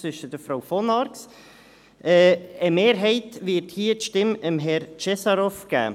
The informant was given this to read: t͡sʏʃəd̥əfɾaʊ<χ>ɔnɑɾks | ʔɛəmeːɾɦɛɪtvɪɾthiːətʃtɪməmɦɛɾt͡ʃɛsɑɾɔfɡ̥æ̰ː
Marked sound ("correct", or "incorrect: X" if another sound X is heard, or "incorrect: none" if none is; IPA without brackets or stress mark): incorrect: f